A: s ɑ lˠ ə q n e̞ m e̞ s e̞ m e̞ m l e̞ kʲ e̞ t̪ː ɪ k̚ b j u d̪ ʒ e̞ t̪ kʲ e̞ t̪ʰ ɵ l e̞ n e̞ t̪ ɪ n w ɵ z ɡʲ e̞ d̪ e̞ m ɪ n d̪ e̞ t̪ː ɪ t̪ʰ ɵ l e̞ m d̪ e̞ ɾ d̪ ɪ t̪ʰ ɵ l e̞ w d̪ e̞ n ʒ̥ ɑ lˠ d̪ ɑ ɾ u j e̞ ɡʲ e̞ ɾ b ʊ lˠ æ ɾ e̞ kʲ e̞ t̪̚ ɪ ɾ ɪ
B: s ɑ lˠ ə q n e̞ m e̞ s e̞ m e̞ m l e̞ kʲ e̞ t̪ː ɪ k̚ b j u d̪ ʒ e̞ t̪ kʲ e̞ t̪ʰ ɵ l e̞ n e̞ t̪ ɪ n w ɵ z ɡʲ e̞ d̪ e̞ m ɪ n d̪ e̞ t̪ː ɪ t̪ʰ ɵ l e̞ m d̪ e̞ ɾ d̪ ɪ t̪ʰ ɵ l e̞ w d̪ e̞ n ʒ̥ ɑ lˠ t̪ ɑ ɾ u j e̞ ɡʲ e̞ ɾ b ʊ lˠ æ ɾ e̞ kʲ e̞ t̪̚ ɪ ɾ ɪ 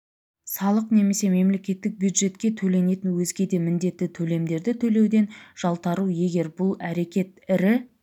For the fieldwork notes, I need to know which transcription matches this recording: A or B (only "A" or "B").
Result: B